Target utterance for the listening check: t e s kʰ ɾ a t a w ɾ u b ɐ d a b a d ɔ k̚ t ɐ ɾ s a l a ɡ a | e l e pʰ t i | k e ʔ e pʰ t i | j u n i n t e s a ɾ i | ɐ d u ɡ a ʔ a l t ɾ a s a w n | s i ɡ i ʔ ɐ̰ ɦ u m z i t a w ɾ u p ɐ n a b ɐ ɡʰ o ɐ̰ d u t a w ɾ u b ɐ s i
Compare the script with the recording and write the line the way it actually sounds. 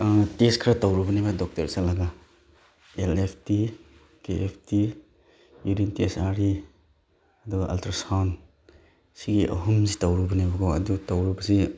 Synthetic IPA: t e s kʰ ɾ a t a w ɾ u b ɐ n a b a d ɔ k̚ t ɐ ɾ s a l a ɡ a | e l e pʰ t i | k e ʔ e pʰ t i | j u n i n t e s a ɾ i | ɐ d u ɡ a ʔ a l t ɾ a s a w n | s i ɡ i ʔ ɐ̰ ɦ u m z i t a w ɾ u b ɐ n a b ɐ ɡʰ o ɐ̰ d u t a w ɾ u b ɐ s i